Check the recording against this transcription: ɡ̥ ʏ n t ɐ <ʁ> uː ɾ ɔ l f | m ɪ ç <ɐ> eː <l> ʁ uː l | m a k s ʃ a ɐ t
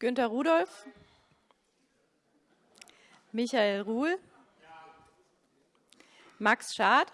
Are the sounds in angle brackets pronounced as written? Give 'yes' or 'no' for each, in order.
yes, no, yes

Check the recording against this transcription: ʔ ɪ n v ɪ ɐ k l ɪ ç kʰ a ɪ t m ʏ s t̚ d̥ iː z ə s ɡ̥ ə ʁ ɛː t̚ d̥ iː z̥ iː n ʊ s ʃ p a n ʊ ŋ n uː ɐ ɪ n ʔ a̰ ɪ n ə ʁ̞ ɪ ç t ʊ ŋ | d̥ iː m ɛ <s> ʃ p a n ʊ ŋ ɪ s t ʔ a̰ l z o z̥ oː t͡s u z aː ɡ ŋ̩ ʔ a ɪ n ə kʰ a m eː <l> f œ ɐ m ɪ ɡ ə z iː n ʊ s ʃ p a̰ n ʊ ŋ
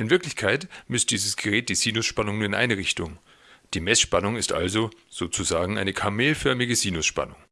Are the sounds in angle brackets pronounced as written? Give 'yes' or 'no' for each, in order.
yes, yes

